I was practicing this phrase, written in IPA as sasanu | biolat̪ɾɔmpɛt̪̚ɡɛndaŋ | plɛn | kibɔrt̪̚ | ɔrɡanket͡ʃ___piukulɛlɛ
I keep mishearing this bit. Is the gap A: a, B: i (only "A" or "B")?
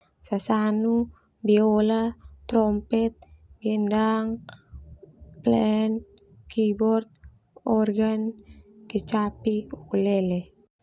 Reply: A